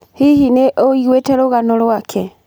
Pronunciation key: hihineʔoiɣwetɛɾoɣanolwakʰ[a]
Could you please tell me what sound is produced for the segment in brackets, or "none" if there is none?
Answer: ɛ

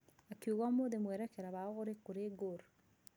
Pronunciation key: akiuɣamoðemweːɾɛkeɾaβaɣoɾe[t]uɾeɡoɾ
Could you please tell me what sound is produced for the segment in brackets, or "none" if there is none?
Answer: k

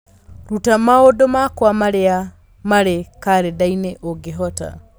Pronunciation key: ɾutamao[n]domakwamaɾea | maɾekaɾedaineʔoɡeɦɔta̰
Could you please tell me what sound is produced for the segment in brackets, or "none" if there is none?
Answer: none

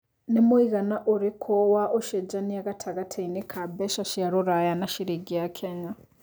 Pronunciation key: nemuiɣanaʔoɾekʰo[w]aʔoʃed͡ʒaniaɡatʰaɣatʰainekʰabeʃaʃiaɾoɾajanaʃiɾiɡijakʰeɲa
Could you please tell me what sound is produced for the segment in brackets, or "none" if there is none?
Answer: w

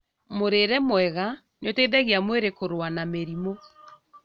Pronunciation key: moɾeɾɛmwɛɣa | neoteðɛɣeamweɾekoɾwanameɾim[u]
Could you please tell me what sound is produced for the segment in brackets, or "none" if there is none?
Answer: o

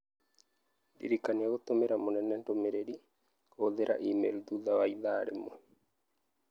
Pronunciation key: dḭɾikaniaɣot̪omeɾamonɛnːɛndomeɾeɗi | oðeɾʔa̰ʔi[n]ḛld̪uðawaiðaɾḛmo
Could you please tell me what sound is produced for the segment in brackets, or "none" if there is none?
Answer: m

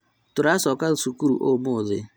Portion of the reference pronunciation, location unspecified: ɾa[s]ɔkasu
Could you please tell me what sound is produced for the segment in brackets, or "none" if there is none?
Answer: s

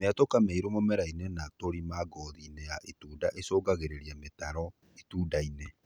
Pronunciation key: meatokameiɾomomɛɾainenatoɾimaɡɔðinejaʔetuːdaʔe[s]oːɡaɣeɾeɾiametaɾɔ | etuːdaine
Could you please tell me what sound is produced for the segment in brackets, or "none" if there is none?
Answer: s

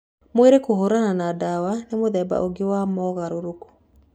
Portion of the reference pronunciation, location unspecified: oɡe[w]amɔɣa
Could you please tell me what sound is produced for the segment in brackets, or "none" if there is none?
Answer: w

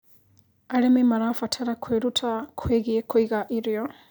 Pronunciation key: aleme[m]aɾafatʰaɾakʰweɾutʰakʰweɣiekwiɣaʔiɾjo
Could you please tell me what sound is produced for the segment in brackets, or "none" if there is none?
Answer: m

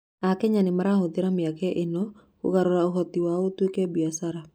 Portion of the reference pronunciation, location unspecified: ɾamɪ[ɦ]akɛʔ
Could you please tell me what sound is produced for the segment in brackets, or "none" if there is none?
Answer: none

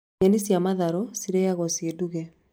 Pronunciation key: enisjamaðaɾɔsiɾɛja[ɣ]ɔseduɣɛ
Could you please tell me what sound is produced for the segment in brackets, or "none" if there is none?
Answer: ɣ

